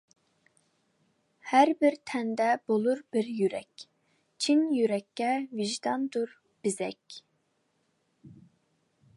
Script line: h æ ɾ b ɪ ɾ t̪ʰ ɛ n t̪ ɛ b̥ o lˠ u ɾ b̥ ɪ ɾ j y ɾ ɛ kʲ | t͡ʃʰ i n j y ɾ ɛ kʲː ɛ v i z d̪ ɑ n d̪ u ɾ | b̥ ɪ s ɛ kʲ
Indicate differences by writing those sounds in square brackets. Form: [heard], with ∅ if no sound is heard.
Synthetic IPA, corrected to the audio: h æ ɾ b ɪ ɾ t̪ʰ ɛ n [d̪] ɛ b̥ o lˠ u ɾ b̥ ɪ ɾ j y ɾ ɛ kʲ | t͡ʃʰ i n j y ɾ ɛ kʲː ɛ v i [ʒ] d̪ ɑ n d̪ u ɾ | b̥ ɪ [z] ɛ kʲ

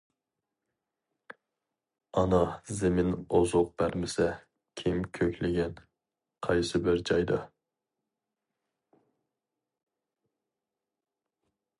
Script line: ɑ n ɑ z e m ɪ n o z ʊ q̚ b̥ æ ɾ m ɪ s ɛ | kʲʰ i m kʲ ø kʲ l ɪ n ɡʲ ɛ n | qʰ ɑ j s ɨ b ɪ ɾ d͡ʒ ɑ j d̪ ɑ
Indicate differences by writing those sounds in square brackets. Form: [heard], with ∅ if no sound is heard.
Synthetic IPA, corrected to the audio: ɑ n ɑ z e m ɪ n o z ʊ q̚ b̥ æ ɾ m ɪ s ɛ | kʲʰ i m [kʲʰ] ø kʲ l ɪ [∅] ɡʲ ɛ n | qʰ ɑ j s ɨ b ɪ ɾ d͡ʒ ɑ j d̪ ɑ

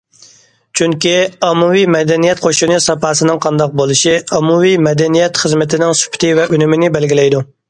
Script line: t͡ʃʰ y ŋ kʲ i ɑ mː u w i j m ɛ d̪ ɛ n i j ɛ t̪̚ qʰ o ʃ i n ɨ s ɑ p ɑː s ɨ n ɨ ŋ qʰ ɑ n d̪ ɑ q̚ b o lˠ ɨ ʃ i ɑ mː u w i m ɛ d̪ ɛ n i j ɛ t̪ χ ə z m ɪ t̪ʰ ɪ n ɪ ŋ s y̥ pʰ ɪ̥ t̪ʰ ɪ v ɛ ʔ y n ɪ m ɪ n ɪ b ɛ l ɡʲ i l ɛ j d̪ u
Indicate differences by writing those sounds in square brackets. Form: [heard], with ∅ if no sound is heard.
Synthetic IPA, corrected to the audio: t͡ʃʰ y ŋ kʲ i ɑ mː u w i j m ɛ d̪ ɛ n i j ɛ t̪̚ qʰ o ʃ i n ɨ s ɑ p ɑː s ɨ n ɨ ŋ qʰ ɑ n d̪ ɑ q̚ b o lˠ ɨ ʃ i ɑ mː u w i m ɛ d̪ ɛ n i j ɛ t̪ χ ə z m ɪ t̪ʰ ɪ n ɪ ŋ s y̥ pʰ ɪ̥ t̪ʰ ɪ v ɛ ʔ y n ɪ m ɪ n ɪ b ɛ l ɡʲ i l ɛ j d̪ u

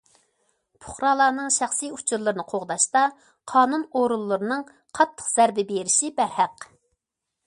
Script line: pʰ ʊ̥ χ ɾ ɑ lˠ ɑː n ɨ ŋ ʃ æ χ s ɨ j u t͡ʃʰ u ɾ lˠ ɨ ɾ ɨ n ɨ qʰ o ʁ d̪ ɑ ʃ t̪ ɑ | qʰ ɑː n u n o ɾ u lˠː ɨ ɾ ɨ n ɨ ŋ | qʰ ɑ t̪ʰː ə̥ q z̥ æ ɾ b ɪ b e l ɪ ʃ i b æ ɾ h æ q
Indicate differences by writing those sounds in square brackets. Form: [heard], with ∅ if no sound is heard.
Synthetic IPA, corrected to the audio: pʰ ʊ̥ χ ɾ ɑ lˠ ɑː n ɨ ŋ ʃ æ χ s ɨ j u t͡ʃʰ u ɾ lˠ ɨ ɾ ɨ n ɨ qʰ o ʁ d̪ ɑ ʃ t̪ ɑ | qʰ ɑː n u n o ɾ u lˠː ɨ ɾ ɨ n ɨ ŋ | qʰ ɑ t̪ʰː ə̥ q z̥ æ ɾ b ɪ b e [ɾ] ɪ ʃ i b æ ɾ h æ q

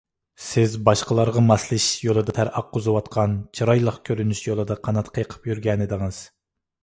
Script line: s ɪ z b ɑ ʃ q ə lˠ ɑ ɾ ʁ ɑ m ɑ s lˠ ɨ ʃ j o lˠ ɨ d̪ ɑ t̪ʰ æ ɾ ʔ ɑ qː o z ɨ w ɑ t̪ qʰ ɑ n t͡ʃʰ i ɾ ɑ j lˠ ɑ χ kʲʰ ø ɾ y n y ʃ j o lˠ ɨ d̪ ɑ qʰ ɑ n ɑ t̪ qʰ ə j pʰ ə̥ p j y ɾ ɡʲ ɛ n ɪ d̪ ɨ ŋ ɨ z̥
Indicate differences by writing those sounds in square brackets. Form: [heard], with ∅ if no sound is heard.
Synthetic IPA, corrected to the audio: s ɪ z b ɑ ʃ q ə lˠ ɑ ɾ ʁ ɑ m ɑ s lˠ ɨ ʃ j o lˠ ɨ d̪ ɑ t̪ʰ æ ɾ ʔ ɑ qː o z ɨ w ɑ t̪ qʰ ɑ n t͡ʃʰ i ɾ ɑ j lˠ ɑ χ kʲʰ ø ɾ y n y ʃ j o lˠ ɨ d̪ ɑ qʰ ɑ n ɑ t̪ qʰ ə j [qʰ] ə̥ p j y ɾ ɡʲ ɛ n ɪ d̪ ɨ ŋ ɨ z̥

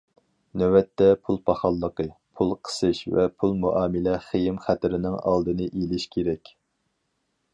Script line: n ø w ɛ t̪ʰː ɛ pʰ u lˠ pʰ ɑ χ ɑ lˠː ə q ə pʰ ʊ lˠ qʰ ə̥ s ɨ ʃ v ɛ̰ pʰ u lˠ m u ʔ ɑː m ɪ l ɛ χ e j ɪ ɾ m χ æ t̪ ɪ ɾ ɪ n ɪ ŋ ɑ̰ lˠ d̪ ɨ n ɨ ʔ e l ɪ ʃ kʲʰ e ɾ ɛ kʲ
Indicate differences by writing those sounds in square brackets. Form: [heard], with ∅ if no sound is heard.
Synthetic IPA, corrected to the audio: n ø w ɛ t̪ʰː ɛ pʰ u lˠ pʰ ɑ χ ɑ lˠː ə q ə pʰ [u] lˠ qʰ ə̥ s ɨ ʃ v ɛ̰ pʰ u lˠ m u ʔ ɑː m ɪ l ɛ χ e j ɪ [∅] m χ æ t̪ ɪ ɾ ɪ n ɪ ŋ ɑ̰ lˠ d̪ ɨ n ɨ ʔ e l ɪ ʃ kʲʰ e ɾ ɛ kʲ

